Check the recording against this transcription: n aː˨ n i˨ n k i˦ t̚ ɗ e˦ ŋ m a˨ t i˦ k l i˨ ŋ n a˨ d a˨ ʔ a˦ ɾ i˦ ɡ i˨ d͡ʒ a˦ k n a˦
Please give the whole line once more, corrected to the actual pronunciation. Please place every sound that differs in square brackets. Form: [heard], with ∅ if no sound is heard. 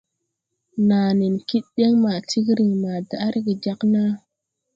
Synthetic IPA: n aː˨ n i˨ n k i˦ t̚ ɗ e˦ ŋ m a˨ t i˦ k [ɾ] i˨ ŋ [m] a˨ d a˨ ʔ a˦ ɾ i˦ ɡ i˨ d͡ʒ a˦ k n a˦